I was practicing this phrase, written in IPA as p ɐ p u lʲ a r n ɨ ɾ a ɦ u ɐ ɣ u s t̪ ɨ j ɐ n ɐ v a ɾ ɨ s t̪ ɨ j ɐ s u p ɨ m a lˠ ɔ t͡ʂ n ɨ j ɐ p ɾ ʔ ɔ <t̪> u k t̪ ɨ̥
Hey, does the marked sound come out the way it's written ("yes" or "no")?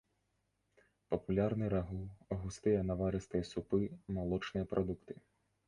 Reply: no